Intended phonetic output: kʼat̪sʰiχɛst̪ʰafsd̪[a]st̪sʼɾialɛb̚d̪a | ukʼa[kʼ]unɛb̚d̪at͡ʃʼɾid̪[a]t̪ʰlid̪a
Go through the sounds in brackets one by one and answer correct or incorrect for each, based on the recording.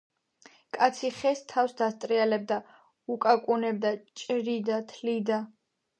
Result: correct, correct, correct

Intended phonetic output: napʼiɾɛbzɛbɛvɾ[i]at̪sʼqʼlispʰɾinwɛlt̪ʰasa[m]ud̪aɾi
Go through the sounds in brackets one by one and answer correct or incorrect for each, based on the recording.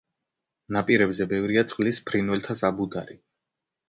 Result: correct, incorrect: b

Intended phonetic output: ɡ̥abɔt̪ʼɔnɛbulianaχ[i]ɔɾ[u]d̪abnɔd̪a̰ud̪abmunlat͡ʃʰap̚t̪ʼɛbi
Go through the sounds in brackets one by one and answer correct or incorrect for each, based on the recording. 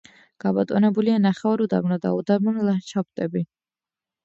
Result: incorrect: ɛ, correct

